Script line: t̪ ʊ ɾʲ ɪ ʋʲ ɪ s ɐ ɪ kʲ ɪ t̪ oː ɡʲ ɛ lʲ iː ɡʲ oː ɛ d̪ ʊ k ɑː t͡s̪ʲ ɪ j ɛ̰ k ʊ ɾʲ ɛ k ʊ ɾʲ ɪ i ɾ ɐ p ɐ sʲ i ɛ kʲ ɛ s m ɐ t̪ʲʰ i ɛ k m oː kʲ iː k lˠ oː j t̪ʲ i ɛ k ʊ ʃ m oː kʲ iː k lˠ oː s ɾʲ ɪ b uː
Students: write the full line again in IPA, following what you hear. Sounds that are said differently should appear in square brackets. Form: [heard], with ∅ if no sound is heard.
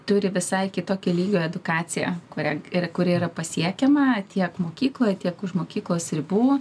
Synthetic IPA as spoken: t̪ ʊ ɾʲ ɪ ʋʲ ɪ s ɐ ɪ kʲ ɪ t̪ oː [kʲ] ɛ lʲ iː ɡʲ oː ɛ d̪ ʊ k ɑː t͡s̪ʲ ɪ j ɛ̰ k ʊ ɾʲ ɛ k ʊ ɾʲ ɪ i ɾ ɐ p ɐ sʲ i ɛ kʲ ɛ [∅] m ɐ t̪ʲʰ i ɛ k m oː kʲ iː k lˠ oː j t̪ʲ i ɛ k ʊ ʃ m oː kʲ iː k lˠ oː s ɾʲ ɪ b uː